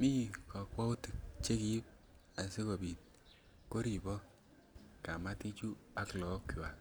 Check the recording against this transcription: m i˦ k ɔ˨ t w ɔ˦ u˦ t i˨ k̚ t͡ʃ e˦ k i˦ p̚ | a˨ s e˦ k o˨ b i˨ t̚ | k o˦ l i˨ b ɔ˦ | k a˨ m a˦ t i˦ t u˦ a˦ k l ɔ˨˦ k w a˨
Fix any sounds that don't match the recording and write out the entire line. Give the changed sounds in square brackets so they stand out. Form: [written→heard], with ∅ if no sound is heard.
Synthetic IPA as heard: m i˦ k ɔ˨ [t→k] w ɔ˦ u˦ t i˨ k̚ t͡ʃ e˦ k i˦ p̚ | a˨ s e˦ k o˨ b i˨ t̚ | k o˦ [l→ɾ] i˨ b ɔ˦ | k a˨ m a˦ t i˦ [t→t͡ʃ] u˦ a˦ k l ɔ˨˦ k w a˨